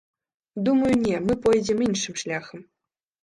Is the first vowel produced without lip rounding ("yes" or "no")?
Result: no